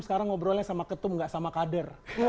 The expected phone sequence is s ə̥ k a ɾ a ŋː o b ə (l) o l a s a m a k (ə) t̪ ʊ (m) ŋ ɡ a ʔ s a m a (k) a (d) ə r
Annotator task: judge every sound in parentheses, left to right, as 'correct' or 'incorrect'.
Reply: incorrect: ɾ, correct, correct, correct, correct

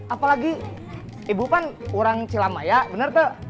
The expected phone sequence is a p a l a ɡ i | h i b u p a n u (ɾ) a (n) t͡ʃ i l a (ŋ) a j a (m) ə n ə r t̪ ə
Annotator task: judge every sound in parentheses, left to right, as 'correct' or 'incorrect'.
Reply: correct, incorrect: ŋ, incorrect: m, incorrect: b

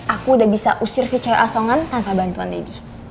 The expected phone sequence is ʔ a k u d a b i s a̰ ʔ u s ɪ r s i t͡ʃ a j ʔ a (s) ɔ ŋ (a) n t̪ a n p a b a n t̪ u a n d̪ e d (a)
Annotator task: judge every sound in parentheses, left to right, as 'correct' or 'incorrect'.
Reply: correct, correct, incorrect: i

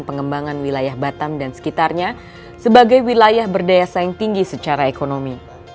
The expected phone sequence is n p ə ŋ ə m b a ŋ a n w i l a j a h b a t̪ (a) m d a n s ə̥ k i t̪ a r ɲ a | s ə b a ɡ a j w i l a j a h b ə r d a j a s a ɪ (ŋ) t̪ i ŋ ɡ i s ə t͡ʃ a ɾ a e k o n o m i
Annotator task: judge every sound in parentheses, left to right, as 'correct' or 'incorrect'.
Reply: correct, correct

